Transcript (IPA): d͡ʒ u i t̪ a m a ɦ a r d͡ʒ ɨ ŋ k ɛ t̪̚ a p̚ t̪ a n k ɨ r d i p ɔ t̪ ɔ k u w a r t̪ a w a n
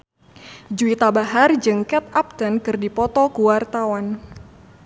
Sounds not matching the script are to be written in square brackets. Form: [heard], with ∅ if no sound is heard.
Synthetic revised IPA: d͡ʒ u i t̪ a [b] a ɦ a r d͡ʒ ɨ ŋ k ɛ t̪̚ a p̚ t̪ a n k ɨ r d i p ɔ t̪ ɔ k u w a r t̪ a w a n